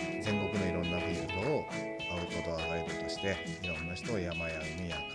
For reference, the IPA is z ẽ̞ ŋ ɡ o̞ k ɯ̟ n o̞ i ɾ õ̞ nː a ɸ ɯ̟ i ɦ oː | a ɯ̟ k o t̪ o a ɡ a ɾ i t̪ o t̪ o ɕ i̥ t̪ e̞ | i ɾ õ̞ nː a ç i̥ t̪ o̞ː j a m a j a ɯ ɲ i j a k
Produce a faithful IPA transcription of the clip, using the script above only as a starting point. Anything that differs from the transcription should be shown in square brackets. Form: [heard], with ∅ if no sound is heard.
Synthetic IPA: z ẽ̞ ŋ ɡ o̞ k ɯ̟ n o̞ i ɾ õ̞ nː a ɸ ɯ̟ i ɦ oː | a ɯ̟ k o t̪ o a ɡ a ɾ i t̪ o t̪ o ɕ i̥ t̪ e̞ | i ɾ õ̞ nː a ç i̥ t̪ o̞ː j a m a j a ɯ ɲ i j a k